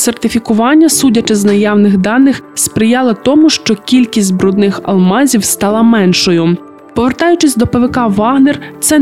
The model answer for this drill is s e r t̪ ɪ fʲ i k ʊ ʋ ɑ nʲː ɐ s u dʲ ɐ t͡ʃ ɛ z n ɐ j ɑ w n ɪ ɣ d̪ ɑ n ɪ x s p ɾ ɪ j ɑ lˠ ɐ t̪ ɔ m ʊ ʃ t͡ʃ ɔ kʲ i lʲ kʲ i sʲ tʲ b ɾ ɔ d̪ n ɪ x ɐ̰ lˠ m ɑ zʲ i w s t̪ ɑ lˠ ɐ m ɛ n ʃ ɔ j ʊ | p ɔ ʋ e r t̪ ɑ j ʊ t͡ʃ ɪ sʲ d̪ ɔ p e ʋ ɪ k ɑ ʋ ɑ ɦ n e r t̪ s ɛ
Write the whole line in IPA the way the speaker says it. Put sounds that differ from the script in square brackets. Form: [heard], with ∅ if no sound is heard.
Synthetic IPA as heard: s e r t̪ ɪ fʲ i k ʊ ʋ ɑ nʲː ɐ s u dʲ ɐ t͡ʃ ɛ z n ɐ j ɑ w n ɪ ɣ d̪ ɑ n ɪ x s p ɾ ɪ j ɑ lˠ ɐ t̪ ɔ m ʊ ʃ t͡ʃ ɔ kʲ i lʲ kʲ i sʲ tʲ b ɾ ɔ d̪ n ɪ x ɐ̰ lˠ m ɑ zʲ i w s t̪ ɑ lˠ ɐ m ɛ n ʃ ɔ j ʊ | p ɔ ʋ e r t̪ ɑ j ʊ t͡ʃ ɪ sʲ d̪ ɔ p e ʋ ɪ k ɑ ʋ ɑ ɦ n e r t̪ s ɛ